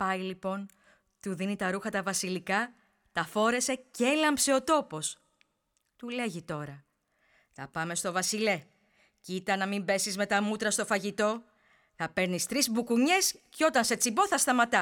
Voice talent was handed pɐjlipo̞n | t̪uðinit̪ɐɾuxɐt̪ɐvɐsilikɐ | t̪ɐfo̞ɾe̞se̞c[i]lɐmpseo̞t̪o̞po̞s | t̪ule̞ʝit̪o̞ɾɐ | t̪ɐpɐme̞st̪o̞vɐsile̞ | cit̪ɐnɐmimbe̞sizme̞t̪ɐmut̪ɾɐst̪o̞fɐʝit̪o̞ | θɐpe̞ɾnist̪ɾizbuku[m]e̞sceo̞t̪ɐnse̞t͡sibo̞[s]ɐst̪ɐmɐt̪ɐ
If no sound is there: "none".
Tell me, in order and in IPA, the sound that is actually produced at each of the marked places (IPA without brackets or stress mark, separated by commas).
e, ɲ, θ